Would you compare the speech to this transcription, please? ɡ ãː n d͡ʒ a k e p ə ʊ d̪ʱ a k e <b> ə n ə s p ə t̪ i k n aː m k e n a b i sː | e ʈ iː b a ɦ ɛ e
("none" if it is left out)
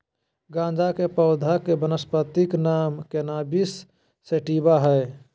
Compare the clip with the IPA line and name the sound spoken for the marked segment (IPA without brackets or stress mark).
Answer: b